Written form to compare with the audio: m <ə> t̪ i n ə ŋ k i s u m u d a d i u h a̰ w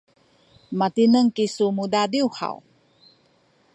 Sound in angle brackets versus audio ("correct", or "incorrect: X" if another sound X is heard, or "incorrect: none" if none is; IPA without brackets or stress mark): incorrect: a